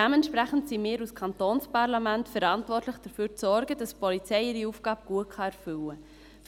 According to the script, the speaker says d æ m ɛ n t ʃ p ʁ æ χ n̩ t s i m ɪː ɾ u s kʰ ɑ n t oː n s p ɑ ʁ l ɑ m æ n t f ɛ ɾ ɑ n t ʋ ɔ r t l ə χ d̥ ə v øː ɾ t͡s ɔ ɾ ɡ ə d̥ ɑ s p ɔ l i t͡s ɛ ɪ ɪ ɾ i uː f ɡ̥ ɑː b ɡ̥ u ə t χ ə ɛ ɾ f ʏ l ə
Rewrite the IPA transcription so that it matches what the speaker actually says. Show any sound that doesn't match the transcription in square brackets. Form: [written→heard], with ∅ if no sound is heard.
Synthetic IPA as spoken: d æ m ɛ n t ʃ p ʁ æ χ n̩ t s i m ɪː ɾ u s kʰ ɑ n t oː n s p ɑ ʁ l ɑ m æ n t f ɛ ɾ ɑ n t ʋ ɔ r t l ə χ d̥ ə [v→f] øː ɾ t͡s ɔ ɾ ɡ ə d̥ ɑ s p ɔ l i t͡s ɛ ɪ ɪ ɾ i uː f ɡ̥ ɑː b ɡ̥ u ə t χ [ə→ɑ] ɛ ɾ f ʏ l ə

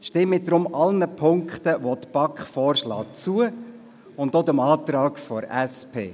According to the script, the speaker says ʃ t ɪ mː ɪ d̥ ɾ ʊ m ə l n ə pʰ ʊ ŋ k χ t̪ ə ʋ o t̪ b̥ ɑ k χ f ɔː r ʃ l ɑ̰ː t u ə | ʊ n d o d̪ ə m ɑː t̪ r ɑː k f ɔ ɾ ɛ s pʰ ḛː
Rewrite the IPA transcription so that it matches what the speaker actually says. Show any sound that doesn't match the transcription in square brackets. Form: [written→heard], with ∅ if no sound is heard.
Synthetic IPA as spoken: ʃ t ɪ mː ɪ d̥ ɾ ʊ m [ə→ɑ] l n ə pʰ ʊ ŋ k χ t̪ ə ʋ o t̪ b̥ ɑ k χ f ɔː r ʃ l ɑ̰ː [t→t͡s] u ə | ʊ n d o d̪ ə m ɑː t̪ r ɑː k f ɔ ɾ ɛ s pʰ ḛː

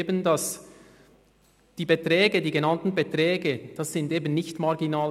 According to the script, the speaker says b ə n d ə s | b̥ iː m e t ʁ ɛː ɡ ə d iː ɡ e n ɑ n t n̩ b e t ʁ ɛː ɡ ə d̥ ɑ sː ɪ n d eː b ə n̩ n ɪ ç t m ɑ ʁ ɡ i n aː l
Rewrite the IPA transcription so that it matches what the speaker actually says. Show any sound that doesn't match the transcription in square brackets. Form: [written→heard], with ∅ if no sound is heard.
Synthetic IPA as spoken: b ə n d [ə→ɑ] s | [b̥→d̥] iː [m→b] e t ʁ ɛː ɡ ə d iː ɡ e n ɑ n t n̩ b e t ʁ ɛː ɡ ə d̥ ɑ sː ɪ n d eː b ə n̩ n ɪ ç t m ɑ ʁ ɡ i n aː l

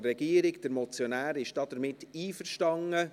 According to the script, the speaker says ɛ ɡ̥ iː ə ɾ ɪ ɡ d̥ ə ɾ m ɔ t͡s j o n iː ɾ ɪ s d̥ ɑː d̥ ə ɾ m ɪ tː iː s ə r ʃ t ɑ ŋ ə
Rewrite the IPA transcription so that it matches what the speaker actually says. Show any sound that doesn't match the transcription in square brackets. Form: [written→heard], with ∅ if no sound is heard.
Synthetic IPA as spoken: ɛ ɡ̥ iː ə ɾ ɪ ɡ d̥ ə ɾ m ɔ t͡s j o n [iː→æː] ɾ ɪ [s→ʃ] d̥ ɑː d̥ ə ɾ m ɪ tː iː [s→f] ə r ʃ t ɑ ŋ ə

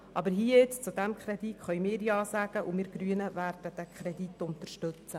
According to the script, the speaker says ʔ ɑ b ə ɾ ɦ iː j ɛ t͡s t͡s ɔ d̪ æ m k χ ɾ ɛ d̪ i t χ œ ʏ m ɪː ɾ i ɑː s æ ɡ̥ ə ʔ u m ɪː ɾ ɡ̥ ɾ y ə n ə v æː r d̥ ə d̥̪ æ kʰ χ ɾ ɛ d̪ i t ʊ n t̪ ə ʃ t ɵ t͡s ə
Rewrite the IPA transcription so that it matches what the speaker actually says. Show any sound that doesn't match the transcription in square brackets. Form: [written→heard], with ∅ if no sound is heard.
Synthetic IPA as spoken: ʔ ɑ b ə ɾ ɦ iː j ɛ t͡s t͡s [ɔ→u] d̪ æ m k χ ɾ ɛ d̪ i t χ œ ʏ m ɪː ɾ [i→j] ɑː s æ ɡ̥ ə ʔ u m ɪː ɾ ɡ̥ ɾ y ə n ə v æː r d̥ ə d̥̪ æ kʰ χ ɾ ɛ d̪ i t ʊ n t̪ ə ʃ t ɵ t͡s ə

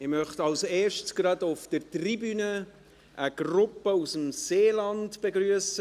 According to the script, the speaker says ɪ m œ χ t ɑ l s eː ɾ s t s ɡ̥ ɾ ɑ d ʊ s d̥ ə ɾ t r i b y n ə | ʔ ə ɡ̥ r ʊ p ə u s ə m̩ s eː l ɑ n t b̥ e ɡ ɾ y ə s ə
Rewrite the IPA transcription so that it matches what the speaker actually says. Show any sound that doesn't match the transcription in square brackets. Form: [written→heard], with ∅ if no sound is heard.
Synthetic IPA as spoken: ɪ m œ χ t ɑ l s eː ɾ [s→ʃ] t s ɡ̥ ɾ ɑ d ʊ [s→f] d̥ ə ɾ t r i b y n ə | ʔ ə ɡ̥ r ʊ p ə u s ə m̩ s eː l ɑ n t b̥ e ɡ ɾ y ə s ə

